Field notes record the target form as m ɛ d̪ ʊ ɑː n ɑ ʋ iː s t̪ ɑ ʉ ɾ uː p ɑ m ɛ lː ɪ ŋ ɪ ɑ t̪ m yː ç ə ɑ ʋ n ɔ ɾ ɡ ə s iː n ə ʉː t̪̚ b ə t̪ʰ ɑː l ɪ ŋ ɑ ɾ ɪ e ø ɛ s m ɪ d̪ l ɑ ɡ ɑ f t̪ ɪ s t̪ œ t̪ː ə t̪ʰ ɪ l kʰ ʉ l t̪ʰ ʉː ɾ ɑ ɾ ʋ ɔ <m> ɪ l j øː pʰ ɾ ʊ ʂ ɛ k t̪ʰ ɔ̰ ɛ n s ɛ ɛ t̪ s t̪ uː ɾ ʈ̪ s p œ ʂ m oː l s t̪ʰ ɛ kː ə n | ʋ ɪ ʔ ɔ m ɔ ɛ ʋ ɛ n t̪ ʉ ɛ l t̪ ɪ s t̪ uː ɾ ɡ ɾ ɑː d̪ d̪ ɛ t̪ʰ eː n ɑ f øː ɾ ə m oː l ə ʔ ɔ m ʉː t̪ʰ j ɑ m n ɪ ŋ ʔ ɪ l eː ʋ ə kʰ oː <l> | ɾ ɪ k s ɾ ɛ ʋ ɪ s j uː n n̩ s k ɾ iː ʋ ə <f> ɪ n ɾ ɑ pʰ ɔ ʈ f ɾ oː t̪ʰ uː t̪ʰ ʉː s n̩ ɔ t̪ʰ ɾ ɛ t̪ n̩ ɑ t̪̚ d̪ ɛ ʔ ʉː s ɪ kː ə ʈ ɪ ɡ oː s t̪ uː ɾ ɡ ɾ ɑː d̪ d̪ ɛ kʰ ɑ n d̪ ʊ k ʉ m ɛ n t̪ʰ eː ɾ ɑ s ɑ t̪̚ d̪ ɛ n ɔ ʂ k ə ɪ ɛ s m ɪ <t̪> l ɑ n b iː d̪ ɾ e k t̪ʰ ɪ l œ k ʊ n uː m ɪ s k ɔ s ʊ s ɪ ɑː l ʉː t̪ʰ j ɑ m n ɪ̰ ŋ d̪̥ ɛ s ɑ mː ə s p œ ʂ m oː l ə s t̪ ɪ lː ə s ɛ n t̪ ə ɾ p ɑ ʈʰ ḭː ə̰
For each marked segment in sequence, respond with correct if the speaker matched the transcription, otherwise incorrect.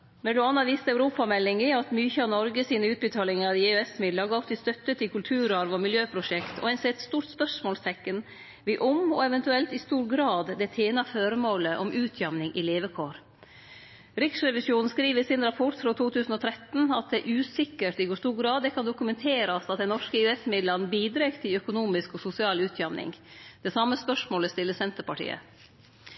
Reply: correct, incorrect, incorrect, incorrect

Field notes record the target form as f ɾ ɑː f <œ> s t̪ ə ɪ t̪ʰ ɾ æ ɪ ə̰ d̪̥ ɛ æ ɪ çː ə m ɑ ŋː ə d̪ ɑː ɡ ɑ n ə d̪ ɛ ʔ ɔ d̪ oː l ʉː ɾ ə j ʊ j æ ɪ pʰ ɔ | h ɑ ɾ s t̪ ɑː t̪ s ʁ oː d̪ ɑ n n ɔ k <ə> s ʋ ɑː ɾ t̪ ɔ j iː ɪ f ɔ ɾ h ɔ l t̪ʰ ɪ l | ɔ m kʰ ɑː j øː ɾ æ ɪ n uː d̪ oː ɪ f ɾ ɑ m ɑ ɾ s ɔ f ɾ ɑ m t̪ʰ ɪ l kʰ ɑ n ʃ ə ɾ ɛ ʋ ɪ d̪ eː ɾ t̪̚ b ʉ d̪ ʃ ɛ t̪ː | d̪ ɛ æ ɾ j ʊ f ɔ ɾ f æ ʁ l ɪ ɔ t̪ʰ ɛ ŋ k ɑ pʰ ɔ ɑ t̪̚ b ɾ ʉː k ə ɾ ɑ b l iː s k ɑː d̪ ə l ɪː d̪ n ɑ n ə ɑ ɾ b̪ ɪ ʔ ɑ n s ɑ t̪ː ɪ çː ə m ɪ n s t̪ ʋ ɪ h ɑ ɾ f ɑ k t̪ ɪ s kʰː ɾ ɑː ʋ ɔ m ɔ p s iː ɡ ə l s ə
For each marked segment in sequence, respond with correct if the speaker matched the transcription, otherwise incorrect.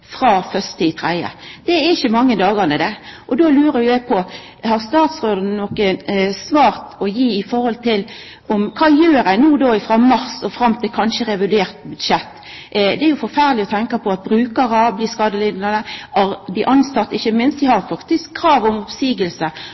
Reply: correct, correct

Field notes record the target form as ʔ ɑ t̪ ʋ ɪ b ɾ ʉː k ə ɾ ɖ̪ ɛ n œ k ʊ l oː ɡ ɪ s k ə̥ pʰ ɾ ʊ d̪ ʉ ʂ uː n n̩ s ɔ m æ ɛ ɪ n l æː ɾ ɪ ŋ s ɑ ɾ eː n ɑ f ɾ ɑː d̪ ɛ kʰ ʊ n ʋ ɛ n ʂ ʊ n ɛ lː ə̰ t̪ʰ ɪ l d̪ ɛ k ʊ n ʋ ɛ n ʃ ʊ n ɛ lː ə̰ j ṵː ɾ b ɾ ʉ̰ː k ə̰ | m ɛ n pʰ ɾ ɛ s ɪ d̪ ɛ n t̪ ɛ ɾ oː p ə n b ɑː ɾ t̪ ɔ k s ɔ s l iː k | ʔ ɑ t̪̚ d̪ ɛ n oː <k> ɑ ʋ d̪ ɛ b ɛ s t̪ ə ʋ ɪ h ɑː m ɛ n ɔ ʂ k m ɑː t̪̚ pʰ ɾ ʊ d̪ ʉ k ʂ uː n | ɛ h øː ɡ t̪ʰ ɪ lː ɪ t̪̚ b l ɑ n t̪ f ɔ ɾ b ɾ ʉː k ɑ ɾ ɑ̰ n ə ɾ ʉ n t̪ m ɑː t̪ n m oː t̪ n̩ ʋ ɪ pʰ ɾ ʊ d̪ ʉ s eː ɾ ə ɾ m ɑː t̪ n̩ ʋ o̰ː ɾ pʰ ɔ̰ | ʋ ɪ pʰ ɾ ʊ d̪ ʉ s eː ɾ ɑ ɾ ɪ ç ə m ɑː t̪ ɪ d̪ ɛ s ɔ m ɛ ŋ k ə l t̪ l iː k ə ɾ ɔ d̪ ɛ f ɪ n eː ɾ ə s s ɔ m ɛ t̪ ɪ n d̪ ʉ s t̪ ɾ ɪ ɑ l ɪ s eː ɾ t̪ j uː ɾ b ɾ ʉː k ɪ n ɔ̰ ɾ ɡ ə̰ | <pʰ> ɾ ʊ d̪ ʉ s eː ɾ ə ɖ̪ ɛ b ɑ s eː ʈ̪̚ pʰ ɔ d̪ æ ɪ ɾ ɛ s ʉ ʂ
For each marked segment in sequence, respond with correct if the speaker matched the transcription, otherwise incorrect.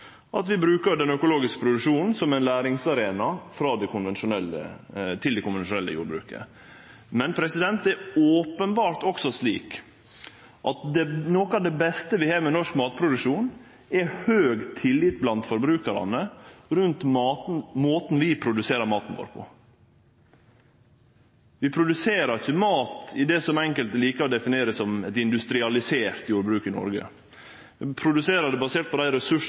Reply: correct, correct

